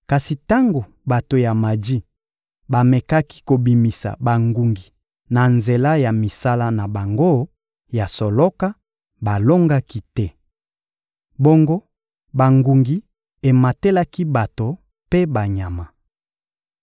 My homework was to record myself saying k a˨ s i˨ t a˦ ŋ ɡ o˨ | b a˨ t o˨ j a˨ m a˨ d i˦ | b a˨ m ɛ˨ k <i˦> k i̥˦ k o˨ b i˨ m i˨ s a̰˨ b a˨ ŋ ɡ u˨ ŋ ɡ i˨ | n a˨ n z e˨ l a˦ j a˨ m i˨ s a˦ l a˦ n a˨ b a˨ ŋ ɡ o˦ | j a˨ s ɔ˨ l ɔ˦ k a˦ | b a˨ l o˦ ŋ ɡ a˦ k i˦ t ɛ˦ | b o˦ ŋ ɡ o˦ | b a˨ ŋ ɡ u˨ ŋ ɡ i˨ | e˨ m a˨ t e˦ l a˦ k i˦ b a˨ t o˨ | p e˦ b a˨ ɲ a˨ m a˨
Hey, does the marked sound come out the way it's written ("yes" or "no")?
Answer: no